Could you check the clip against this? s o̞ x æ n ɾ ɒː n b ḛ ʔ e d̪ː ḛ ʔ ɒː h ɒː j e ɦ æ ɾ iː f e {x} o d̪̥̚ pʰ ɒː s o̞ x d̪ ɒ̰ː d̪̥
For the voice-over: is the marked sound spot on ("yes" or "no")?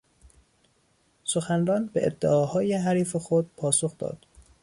yes